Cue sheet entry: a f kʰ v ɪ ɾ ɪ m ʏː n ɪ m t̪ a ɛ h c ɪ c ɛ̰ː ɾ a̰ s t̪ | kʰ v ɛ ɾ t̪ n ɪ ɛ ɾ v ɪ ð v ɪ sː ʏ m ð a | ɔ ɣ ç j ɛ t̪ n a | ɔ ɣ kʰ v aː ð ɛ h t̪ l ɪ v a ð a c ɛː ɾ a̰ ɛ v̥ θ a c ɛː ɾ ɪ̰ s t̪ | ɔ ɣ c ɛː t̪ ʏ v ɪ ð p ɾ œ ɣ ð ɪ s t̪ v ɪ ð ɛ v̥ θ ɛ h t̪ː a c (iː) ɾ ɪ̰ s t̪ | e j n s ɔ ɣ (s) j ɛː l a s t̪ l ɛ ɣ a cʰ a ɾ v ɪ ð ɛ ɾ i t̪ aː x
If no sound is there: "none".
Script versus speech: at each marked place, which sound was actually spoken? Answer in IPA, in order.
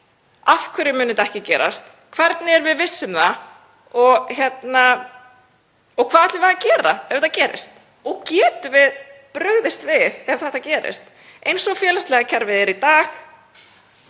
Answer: ɛː, f

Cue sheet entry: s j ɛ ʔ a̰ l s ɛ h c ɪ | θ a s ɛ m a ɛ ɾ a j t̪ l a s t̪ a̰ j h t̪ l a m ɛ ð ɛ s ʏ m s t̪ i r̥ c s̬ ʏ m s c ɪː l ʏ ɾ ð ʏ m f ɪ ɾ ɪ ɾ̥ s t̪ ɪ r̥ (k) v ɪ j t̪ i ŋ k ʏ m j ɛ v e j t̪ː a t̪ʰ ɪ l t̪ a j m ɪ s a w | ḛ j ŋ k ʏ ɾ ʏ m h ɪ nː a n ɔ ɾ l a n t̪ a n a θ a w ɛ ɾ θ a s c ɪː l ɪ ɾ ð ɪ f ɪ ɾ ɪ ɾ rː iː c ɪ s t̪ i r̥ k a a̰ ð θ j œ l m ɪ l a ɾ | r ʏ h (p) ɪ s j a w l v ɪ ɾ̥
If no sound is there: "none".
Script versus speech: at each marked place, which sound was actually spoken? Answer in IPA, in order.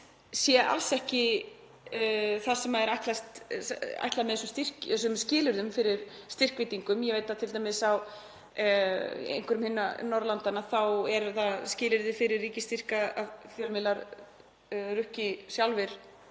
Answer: k, c

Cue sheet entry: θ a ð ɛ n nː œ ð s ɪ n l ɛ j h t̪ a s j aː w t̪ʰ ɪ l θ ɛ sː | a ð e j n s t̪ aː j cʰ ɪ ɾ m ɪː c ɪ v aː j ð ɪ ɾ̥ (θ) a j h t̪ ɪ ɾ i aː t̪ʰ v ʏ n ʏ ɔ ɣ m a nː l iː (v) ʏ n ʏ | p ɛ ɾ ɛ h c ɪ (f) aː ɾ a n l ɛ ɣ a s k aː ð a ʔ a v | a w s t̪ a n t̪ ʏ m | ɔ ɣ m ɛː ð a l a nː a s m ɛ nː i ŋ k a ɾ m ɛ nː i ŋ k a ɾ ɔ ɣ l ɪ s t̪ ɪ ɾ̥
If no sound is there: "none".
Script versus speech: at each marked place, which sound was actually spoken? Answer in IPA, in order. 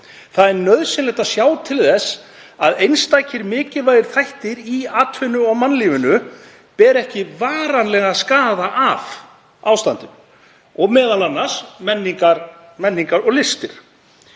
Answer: θ, v, v

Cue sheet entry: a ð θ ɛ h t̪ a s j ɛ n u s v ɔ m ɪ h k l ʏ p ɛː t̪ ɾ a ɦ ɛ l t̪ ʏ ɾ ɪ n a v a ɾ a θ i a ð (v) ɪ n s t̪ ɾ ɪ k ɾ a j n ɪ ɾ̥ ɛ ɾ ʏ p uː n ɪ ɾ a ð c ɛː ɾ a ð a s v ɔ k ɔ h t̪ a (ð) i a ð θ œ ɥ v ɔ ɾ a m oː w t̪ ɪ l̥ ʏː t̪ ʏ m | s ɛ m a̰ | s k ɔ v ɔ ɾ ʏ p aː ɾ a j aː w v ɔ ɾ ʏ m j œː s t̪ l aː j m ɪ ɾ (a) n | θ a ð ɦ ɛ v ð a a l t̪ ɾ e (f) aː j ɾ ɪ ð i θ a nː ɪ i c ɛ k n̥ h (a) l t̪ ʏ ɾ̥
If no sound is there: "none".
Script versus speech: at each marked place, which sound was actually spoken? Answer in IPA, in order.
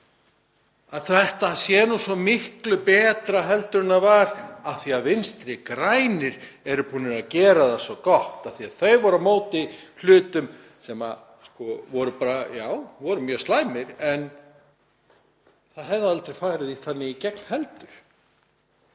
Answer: v, θ, ɛ, f, ɛ

